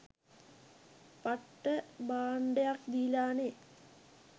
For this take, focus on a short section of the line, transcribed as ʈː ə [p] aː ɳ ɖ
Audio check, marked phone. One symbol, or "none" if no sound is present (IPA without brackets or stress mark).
b